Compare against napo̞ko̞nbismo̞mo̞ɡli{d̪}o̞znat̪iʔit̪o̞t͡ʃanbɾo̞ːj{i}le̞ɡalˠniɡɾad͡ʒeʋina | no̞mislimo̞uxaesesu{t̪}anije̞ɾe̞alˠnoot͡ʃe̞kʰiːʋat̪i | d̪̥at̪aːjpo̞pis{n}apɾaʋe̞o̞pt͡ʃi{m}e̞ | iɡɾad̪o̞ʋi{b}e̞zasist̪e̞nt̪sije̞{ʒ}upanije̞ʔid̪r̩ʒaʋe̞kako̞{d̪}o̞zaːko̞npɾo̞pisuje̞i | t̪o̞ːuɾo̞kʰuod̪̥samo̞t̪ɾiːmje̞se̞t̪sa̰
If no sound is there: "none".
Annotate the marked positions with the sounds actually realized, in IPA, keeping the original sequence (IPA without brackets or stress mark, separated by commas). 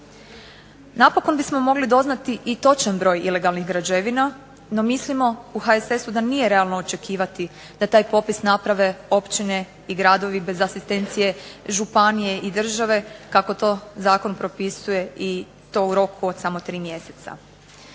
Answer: d̪, i, d̪, n, n, b, ʒ, t̪